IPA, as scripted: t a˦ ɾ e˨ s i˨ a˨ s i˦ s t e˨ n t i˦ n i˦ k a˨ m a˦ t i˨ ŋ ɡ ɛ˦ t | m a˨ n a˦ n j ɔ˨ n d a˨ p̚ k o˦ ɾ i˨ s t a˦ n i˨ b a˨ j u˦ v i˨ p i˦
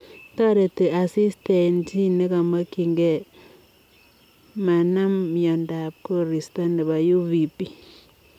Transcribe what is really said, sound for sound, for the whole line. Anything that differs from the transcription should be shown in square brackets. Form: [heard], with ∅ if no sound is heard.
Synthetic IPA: t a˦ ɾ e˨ [t] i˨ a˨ s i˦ s t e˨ n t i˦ n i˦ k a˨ m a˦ [k] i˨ ŋ ɡ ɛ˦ [∅] | m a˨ n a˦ [m] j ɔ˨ n d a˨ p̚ k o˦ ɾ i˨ s t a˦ n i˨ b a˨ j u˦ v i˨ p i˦